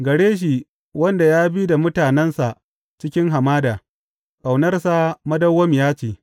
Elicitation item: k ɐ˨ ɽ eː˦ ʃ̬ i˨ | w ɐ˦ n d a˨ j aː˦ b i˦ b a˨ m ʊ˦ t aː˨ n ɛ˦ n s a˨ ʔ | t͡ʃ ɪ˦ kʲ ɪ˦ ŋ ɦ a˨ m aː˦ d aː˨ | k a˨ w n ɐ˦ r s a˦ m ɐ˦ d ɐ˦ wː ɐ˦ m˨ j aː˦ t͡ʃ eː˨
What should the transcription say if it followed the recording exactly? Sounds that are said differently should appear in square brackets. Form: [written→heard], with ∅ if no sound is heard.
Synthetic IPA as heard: [k→ɡ] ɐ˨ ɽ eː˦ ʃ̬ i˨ | w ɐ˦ n d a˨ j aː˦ b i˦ [b→d] a˨ m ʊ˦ t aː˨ n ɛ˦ n s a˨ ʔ | t͡ʃ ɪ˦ kʲ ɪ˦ ŋ ɦ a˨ m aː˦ d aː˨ | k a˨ w n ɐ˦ r s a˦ m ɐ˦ d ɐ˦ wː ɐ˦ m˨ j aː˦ t͡ʃ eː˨